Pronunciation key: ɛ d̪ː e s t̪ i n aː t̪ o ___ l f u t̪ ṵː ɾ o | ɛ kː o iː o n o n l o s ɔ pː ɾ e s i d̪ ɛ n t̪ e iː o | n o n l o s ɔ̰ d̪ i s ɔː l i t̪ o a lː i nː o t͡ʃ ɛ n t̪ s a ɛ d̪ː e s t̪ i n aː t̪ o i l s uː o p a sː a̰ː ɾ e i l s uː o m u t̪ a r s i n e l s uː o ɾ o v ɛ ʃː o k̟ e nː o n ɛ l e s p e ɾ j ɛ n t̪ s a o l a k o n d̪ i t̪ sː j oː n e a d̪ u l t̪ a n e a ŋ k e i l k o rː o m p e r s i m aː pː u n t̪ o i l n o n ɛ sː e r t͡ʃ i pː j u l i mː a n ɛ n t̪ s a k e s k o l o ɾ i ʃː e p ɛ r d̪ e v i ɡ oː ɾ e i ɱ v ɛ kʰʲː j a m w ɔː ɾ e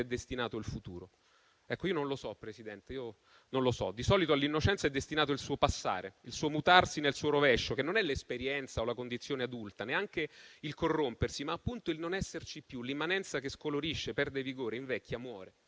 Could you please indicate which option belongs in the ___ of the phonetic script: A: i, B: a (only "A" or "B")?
A